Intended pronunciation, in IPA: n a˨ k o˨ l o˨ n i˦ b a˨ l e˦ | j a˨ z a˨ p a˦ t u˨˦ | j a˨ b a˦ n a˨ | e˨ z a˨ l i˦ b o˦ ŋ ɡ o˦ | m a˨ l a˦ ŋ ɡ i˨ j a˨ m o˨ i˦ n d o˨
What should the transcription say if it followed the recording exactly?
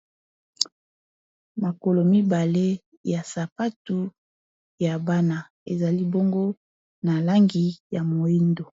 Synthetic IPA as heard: m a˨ k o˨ l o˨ m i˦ b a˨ l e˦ | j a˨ s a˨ p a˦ t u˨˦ | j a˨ b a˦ n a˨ | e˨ z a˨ l i˦ b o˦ ŋ ɡ o˦ | n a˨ l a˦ ŋ ɡ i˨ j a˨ m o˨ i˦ n d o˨